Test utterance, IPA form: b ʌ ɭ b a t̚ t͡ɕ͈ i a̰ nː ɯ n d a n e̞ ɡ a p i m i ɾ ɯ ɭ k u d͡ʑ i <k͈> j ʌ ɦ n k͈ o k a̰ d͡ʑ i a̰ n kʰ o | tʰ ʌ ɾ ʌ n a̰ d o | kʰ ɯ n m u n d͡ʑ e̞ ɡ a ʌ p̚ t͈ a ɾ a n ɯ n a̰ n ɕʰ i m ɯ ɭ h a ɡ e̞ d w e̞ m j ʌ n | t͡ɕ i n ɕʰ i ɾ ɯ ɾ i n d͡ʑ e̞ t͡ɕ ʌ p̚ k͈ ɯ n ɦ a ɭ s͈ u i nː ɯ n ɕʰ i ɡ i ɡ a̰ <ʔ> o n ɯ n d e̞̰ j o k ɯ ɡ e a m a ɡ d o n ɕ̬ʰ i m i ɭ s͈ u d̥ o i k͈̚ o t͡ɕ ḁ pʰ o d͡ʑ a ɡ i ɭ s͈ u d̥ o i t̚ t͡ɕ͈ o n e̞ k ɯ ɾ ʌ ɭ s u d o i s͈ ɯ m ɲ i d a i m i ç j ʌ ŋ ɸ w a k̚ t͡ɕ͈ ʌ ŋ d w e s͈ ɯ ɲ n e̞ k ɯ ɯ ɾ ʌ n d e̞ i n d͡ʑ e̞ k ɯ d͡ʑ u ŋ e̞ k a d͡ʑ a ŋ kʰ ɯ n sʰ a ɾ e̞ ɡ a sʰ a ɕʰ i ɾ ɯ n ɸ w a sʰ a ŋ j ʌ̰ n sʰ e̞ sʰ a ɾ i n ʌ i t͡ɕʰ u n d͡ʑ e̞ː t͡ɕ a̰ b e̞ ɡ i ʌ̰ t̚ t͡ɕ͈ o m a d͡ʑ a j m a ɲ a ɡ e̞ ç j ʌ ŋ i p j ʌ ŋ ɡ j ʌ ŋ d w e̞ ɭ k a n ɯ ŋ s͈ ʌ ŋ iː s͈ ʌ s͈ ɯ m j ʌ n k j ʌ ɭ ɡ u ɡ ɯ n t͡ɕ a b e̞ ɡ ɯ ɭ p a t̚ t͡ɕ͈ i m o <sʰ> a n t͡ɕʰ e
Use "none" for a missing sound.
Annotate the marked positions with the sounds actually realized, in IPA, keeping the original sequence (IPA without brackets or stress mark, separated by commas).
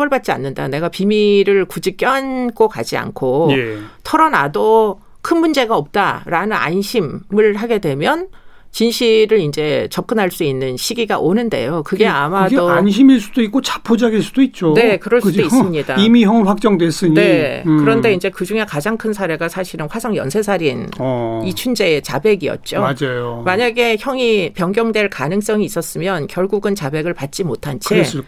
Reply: k͈, ʔ, tʰ